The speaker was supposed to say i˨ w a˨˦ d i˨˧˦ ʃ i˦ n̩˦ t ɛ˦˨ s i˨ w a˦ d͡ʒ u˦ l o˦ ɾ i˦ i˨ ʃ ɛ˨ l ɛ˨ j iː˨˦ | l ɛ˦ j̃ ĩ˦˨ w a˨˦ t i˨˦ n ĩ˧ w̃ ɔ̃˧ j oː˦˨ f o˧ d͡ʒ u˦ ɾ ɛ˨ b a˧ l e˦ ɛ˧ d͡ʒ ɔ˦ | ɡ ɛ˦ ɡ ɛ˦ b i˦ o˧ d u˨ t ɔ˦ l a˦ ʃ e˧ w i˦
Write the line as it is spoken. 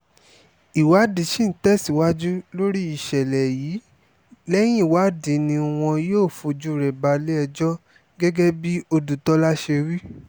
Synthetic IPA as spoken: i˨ w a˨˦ d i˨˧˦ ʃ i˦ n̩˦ t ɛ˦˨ s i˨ w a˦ d͡ʒ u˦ l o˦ ɾ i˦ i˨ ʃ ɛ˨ l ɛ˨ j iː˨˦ | l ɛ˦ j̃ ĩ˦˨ w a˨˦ d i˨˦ n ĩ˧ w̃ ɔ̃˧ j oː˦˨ f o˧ d͡ʒ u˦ ɾ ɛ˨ b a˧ l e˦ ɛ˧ d͡ʒ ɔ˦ | ɡ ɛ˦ ɡ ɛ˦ b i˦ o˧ d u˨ t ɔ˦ l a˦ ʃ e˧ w i˦